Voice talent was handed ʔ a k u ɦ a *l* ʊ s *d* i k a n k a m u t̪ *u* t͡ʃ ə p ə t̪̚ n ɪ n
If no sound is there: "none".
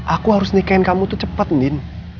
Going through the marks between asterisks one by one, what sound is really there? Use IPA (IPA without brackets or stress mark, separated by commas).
ɾ, n, u